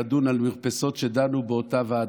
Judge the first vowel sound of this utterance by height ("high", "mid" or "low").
high